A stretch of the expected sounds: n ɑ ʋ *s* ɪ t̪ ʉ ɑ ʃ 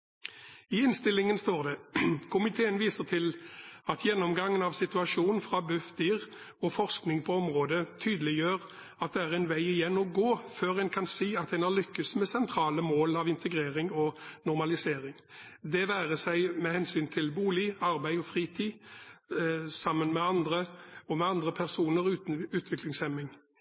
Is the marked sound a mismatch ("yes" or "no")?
no